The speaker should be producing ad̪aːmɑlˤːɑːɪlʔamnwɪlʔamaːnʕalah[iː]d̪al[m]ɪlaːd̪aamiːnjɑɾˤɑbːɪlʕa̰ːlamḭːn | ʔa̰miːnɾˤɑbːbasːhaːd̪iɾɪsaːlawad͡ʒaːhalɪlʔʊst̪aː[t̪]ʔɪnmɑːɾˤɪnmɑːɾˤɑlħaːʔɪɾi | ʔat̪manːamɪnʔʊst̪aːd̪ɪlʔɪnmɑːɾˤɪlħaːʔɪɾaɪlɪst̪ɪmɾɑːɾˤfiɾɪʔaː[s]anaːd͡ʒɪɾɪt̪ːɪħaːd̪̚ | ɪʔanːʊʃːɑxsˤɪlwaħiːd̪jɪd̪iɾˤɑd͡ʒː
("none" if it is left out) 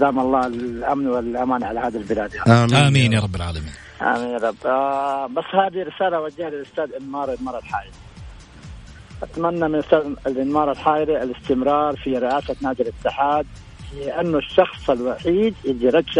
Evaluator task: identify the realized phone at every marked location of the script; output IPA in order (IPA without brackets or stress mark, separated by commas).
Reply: aː, b, d̪, s